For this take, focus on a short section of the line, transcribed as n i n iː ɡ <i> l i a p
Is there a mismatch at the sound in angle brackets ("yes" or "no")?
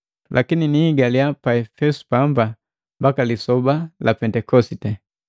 yes